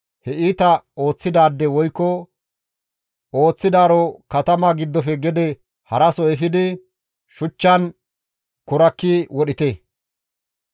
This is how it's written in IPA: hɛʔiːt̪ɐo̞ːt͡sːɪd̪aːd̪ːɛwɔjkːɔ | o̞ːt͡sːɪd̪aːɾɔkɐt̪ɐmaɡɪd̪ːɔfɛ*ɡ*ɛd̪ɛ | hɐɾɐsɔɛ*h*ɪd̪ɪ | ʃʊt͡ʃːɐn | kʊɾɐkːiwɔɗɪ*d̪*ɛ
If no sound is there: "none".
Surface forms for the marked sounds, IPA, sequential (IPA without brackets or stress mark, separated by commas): ɡ, f, t̪